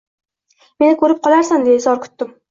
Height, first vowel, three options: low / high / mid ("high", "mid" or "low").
mid